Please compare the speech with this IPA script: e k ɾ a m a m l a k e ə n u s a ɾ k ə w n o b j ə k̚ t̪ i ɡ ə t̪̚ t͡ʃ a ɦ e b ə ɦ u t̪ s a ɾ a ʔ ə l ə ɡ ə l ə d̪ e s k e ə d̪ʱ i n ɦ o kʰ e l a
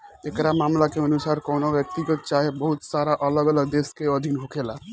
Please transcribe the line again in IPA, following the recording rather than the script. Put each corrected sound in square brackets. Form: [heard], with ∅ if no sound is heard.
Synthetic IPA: e k ɾ a m a m l a k e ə n u s a ɾ k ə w n o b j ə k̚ t̪ i ɡ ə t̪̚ t͡ʃ a ɦ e b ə ɦ u t̪ s a ɾ a ʔ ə l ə ɡ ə l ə d̪ e s k e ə d̪ʱ i n ɦ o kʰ e l a